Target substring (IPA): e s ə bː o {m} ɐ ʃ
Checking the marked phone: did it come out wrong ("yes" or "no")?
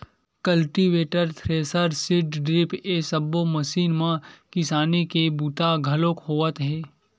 no